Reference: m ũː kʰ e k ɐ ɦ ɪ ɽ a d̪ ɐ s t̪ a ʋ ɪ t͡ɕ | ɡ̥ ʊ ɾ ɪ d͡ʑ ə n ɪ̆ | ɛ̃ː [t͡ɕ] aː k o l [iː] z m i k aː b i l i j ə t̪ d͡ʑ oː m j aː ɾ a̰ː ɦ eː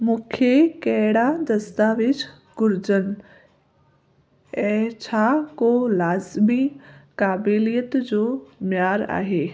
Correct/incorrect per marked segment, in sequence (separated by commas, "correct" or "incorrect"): incorrect, incorrect